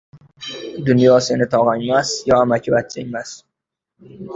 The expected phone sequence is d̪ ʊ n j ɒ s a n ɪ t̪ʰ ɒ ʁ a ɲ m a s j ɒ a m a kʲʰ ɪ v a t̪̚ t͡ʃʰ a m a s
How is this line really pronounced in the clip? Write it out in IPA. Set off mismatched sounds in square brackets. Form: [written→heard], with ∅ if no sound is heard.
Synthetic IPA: d̪ ʊ n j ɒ s [a→e] n ɪ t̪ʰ ɒ ʁ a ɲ m a s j ɒ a m a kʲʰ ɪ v a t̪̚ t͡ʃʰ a m a s